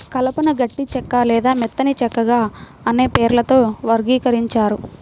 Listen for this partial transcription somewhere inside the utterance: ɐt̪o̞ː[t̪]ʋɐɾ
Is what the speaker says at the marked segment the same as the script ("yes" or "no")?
no